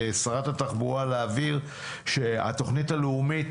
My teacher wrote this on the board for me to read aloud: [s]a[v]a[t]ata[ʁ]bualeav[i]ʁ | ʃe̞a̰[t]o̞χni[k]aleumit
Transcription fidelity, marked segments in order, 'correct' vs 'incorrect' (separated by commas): correct, incorrect, correct, incorrect, correct, correct, incorrect